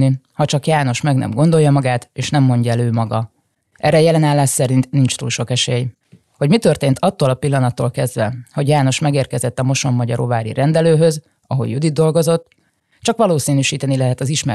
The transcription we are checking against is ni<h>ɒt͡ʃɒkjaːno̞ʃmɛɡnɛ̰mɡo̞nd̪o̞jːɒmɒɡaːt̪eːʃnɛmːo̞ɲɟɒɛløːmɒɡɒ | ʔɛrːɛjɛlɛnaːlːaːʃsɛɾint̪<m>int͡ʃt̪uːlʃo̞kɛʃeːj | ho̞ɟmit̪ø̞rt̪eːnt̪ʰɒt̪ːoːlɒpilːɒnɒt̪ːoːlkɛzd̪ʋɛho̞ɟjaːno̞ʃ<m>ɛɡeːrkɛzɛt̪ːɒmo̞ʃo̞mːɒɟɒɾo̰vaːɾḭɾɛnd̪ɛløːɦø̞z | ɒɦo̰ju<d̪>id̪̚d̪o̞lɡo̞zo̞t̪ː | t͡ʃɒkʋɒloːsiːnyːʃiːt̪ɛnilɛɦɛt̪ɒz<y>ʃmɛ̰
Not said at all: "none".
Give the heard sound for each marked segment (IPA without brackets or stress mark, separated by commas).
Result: h, n, m, d̪, i